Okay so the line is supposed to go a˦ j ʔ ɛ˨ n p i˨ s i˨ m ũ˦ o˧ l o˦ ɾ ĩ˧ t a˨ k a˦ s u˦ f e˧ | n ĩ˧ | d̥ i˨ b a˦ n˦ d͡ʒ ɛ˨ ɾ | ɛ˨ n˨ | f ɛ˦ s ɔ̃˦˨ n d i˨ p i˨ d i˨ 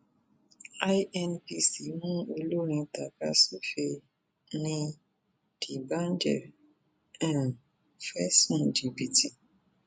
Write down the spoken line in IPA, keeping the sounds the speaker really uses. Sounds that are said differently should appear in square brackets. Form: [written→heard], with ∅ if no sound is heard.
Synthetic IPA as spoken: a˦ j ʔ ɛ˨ n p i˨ s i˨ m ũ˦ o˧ l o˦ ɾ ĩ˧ t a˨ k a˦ s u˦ f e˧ | n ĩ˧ | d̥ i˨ b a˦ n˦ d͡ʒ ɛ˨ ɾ | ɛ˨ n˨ | f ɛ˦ s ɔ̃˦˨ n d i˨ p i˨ [d→t] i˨